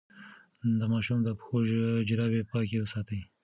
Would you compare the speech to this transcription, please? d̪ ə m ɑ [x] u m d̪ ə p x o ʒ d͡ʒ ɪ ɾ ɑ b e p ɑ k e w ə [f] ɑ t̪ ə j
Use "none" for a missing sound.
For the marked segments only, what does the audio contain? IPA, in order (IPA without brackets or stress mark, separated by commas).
ʃ, s